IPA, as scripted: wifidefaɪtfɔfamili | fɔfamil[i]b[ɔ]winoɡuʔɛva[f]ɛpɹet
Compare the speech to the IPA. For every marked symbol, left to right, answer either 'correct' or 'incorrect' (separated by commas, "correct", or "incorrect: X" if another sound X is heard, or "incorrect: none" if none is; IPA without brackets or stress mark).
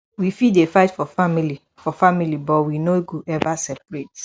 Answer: correct, correct, incorrect: s